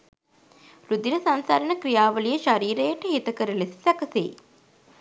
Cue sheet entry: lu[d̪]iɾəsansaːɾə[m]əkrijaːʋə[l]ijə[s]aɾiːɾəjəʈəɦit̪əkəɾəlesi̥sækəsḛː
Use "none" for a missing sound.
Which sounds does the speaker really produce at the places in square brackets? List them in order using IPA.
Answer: d̪, n, l, ʃ

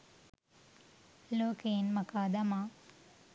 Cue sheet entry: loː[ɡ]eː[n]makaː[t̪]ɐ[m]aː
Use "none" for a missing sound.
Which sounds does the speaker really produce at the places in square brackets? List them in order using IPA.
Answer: k, n, d̪, m

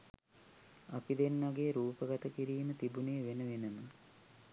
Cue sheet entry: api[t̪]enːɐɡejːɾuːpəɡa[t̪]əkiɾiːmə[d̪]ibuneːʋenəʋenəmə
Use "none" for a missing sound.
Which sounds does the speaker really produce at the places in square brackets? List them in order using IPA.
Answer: d̪, t̪, t̪

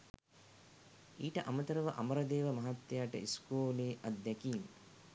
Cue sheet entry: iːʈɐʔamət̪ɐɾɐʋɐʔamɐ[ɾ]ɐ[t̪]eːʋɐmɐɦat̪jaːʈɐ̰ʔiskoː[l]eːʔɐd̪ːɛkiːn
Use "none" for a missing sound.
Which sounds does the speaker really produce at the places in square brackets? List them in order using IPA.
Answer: ɾ, d̪, l

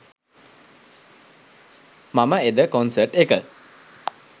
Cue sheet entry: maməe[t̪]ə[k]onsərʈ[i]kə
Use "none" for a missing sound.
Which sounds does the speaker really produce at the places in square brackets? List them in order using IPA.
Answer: d̪, k, e

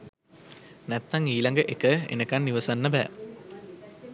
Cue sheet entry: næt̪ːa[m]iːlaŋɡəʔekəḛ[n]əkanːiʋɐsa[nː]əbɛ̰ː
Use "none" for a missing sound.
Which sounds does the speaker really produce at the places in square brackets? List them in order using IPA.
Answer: ŋ, n, nː

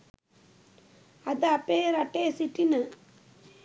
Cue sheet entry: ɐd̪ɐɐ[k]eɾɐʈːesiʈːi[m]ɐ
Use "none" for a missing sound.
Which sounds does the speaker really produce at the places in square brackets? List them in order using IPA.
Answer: p, n

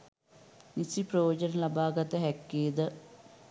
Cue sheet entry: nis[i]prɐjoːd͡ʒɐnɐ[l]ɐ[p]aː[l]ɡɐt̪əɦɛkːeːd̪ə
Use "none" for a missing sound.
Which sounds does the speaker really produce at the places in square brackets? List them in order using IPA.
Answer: i, l, b, none

